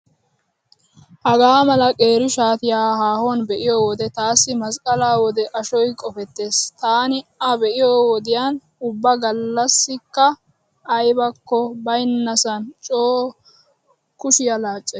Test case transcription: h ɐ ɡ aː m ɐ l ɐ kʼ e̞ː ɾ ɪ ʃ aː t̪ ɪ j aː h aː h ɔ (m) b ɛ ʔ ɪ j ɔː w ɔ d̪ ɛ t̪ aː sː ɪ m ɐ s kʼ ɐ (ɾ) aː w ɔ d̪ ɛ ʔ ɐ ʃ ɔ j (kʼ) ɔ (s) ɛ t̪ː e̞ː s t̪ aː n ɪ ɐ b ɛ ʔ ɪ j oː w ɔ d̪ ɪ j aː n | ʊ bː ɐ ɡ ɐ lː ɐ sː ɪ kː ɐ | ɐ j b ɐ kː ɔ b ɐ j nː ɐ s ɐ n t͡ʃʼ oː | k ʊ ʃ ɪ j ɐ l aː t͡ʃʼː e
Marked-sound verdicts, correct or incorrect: incorrect: n, incorrect: l, correct, incorrect: f

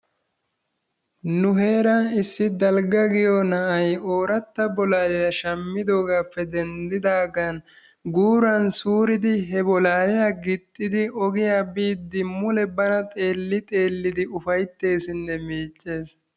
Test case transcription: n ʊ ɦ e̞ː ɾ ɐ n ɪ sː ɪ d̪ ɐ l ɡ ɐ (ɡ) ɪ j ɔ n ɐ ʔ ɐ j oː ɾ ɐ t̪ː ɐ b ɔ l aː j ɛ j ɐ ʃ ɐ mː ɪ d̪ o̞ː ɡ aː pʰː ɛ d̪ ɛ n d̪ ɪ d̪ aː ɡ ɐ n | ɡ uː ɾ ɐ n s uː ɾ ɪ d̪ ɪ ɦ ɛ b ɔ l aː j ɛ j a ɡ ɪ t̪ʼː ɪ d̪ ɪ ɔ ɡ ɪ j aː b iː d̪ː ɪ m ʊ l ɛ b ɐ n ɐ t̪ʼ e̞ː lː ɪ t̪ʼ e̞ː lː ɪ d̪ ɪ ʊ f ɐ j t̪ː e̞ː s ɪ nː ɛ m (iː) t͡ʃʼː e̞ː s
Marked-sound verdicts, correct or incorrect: correct, correct

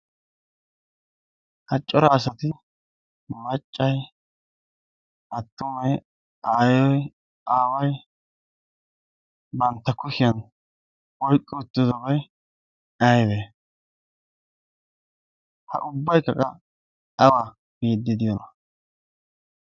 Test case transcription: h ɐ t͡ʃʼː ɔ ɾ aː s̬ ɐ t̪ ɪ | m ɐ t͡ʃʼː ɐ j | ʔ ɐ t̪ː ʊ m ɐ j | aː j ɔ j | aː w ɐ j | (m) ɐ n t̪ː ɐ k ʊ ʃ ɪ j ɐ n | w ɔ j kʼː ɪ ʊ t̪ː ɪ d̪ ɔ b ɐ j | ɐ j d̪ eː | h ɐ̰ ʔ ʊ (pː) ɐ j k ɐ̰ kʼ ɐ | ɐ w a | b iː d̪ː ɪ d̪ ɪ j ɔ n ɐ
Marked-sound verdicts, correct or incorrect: incorrect: b, incorrect: bː

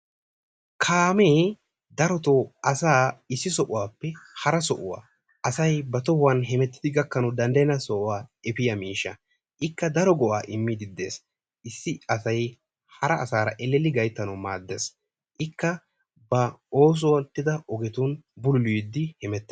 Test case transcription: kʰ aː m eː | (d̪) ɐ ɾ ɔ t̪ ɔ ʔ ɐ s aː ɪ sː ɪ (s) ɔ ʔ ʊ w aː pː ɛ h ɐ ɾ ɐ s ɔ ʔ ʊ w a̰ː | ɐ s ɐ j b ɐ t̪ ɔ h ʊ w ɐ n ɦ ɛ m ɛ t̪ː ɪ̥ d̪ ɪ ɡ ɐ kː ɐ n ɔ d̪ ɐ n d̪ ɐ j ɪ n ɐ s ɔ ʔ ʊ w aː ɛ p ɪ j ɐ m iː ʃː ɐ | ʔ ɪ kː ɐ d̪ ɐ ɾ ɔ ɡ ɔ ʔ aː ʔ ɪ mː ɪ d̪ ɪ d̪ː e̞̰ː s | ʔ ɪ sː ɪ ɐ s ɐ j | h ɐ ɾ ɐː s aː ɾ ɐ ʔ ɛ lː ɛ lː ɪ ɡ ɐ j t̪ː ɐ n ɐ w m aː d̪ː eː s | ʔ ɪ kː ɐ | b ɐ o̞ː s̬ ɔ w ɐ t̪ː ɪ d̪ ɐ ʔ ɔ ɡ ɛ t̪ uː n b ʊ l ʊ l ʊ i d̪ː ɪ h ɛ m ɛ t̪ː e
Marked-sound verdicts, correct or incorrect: correct, correct

